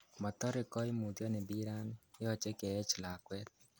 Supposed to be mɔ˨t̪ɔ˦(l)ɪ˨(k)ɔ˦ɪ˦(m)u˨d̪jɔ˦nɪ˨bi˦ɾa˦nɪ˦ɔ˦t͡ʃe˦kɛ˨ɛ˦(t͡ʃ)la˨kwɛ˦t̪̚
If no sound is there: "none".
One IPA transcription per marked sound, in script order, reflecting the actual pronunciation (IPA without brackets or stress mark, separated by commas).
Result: ɾ, k, m, t͡ʃ